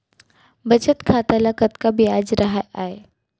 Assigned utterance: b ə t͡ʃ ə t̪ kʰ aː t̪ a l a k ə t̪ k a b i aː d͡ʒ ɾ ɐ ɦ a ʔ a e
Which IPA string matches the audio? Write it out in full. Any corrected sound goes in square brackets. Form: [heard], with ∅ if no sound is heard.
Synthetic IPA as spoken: b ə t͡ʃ ə t̪ kʰ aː t̪ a l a k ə t̪ k a b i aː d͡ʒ ɾ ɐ ɦ a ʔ a e

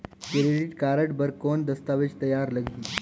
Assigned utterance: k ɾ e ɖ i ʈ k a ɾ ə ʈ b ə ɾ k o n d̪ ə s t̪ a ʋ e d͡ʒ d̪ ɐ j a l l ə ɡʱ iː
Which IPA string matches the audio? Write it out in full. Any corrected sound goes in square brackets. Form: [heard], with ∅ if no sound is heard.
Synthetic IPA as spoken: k ɾ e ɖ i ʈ k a ɾ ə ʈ b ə ɾ k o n d̪ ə s t̪ a ʋ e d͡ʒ [t̪] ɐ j a [ɾ] l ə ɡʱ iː

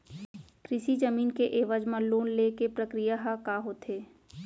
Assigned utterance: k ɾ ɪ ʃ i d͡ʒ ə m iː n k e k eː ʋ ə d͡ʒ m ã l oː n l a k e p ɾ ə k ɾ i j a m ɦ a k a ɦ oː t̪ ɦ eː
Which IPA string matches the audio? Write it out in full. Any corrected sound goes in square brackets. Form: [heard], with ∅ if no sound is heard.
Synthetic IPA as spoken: k ɾ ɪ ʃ i d͡ʒ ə m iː n k e [ʔ] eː ʋ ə d͡ʒ m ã l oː n l [e] k e p ɾ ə k ɾ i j a [∅] ɦ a k a ɦ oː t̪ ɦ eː

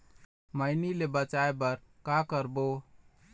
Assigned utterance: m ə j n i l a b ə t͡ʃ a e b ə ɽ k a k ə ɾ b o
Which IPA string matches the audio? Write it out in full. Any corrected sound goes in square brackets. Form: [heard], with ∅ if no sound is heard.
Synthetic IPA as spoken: m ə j n i l [e] b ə t͡ʃ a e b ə [ɾ] k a k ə ɾ b o

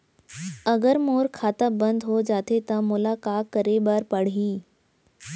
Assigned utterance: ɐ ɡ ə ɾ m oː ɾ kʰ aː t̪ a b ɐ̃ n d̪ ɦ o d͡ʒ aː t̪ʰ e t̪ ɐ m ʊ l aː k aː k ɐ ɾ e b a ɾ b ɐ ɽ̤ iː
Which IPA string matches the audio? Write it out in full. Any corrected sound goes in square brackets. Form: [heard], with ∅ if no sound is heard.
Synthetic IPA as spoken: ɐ ɡ ə ɾ m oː ɾ kʰ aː t̪ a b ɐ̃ n d̪ ɦ o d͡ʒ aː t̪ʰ e t̪ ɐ m ʊ l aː k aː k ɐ ɾ e b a ɾ [p] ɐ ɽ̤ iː

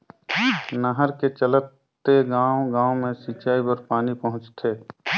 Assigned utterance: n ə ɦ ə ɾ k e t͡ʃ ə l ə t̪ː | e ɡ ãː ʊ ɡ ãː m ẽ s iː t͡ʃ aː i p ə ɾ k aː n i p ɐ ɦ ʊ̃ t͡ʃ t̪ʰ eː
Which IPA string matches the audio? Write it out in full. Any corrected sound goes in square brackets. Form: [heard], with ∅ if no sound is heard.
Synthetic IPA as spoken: n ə ɦ ə ɾ k e t͡ʃ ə l ə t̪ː | e ɡ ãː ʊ ɡ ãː m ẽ s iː t͡ʃ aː i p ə ɾ [p] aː n i p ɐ ɦ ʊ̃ t͡ʃ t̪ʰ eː

